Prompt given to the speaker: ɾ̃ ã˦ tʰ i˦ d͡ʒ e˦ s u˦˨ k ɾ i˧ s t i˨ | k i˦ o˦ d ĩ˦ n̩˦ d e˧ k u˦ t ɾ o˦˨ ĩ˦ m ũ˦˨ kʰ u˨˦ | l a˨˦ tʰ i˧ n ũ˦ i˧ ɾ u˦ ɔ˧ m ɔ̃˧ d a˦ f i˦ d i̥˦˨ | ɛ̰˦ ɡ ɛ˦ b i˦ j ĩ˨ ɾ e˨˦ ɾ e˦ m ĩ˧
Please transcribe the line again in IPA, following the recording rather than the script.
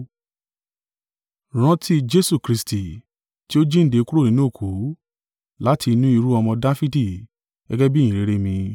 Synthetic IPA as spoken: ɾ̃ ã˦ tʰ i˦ d͡ʒ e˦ s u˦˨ k ɾ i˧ s t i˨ | t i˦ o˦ d͡ʒ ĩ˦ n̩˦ d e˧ k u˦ ɾ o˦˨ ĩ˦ n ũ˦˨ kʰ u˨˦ | l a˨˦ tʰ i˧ n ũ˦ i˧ ɾ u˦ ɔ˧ m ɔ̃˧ d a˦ f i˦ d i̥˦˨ | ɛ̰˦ ɡ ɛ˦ b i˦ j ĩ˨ ɾ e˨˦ ɾ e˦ m ĩ˧

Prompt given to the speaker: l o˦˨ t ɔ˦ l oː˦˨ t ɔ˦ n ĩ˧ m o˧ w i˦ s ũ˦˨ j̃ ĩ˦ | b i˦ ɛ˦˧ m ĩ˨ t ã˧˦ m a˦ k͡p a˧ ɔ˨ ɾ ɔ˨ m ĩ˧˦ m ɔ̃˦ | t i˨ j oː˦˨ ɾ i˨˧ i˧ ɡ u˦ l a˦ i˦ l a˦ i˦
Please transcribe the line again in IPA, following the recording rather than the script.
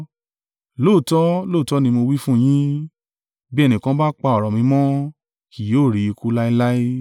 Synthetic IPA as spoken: l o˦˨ t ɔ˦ l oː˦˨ t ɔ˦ n ĩ˧ m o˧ w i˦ f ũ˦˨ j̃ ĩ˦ | b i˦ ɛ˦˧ n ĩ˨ k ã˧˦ b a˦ k͡p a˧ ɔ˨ ɾ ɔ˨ m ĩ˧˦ m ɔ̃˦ | k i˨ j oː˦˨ ɾ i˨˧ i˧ k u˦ l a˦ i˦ l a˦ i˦

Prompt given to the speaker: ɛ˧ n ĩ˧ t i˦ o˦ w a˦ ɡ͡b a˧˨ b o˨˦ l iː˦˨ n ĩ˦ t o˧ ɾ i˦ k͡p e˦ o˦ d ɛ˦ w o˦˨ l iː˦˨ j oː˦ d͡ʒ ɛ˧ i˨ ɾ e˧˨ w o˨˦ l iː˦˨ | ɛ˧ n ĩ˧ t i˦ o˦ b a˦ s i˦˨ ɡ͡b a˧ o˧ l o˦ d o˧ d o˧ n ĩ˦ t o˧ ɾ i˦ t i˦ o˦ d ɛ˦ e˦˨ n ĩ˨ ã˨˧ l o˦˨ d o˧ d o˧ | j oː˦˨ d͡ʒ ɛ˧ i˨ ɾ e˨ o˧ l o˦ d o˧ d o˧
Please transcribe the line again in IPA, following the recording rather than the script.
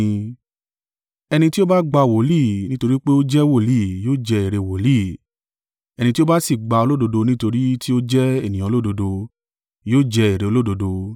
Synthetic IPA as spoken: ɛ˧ n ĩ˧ t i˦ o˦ b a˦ ɡ͡b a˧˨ w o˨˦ l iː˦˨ n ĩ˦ t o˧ ɾ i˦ k͡p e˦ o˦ d͡ʒ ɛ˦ w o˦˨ l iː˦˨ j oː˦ d͡ʒ ɛ˧ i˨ ɾ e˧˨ w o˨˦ l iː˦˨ | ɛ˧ n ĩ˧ t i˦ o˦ b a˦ s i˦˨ ɡ͡b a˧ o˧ l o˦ d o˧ d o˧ n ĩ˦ t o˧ ɾ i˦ t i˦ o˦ d͡ʒ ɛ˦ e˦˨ n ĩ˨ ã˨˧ l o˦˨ d o˧ d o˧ | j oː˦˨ d͡ʒ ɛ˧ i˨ ɾ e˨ o˧ l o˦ d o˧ d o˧

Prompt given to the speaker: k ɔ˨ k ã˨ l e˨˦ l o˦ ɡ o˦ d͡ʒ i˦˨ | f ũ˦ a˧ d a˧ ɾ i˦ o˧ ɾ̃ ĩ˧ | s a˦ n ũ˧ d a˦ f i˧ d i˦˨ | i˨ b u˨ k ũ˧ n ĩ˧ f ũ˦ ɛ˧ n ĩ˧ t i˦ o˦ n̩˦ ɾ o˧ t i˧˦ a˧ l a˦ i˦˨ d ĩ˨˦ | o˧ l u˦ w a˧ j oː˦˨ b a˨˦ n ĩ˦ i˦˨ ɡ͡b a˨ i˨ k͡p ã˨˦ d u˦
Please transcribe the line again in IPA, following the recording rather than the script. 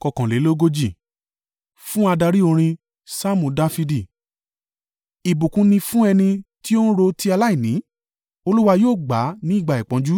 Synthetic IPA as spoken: k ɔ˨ k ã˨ l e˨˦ l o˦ ɡ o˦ d͡ʒ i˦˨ | f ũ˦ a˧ d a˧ ɾ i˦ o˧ ɾ̃ ĩ˧ | s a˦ m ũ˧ d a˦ f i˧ d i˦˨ | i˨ b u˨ k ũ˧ n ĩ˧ f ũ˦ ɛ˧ n ĩ˧ t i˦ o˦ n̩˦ ɾ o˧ t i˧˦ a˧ l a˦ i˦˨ n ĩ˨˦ | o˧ l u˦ w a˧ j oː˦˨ ɡ͡b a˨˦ n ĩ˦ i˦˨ ɡ͡b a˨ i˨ k͡p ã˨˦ d͡ʒ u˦

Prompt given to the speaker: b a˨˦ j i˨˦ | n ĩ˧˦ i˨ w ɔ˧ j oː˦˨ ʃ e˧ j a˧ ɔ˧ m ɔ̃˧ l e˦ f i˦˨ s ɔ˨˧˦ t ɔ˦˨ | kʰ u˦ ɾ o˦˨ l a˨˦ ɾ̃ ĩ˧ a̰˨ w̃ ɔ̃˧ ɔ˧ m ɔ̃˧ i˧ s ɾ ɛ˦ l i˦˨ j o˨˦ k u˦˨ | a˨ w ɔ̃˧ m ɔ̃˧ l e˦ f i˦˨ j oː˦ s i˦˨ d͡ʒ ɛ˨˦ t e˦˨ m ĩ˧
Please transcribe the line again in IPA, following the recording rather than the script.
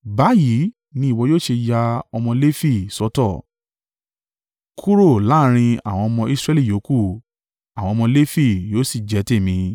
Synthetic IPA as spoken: b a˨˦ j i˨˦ | n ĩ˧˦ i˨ w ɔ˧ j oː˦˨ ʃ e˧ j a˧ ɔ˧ m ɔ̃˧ l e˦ f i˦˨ s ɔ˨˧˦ t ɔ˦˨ | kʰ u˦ ɾ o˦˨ l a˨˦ ɾ̃ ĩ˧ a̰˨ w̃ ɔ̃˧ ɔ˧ m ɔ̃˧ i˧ s ɾ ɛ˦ l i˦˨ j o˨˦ k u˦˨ | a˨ w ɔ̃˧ m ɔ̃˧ l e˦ f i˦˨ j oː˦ s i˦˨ d͡ʒ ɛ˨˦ t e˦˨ m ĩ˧

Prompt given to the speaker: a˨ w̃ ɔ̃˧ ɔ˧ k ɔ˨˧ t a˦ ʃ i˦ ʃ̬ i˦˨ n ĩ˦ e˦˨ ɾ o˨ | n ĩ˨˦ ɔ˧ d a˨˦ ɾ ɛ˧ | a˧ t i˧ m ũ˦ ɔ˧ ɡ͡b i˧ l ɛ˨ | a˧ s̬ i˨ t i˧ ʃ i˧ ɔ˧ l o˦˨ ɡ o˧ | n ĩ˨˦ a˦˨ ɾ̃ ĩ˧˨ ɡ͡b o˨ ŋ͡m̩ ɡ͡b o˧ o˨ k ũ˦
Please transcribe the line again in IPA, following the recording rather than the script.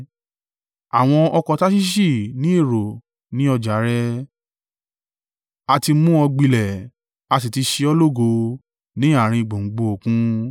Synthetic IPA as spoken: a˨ w̃ ɔ̃˧ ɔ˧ k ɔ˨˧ t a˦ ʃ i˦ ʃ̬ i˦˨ n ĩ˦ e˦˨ ɾ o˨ | n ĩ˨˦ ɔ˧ d͡ʒ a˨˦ ɾ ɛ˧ | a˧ t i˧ m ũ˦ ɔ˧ ɡ͡b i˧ l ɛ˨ | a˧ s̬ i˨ t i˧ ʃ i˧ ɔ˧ l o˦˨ ɡ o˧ | n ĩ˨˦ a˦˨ ɾ̃ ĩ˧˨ ɡ͡b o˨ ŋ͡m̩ ɡ͡b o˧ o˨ k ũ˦

